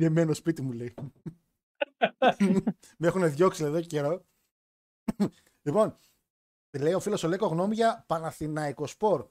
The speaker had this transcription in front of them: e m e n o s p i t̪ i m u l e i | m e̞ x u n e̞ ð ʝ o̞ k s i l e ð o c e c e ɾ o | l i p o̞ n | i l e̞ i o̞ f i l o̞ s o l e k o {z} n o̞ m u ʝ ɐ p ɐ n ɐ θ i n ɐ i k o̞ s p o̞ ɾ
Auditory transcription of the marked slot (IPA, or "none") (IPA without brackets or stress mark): ɣ